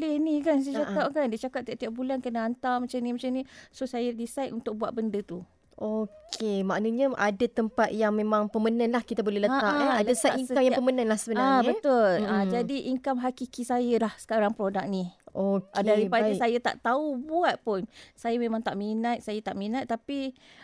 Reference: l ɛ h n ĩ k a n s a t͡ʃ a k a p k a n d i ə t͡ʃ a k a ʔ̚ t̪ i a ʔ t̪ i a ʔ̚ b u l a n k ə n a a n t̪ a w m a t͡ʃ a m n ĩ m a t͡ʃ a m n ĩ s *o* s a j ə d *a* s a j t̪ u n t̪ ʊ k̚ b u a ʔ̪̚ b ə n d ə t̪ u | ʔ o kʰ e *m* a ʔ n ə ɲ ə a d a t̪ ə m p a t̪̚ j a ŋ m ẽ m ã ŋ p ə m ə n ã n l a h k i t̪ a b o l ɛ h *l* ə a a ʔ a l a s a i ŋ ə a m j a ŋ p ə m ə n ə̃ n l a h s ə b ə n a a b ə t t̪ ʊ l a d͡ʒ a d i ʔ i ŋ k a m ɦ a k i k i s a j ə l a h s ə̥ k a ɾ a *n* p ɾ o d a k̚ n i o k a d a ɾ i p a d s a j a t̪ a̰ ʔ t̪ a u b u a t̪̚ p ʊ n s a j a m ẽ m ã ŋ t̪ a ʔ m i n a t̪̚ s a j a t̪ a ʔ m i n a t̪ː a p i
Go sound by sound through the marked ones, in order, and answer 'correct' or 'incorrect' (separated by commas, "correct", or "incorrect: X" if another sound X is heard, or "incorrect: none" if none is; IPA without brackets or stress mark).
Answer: correct, incorrect: i, correct, correct, incorrect: ŋ